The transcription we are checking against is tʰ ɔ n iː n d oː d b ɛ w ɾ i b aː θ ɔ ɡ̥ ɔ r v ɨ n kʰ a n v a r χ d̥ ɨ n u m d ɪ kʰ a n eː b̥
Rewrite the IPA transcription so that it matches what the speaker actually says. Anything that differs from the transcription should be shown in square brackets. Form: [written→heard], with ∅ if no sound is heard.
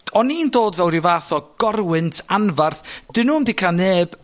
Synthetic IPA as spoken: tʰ ɔ n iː n d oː d [b→v] ɛ w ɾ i [b→v] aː θ ɔ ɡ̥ ɔ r [v→w] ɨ n [kʰ→tʰ] a n v a r [χ→θ] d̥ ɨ n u m d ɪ kʰ a n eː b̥